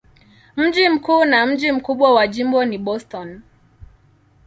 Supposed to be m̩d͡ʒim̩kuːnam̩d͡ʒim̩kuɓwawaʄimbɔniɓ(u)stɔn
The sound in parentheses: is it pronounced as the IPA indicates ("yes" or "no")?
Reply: no